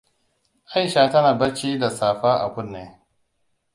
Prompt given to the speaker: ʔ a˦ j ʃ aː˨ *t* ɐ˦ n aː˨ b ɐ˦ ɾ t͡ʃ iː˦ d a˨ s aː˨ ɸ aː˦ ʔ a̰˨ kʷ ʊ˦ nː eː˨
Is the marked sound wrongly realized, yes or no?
no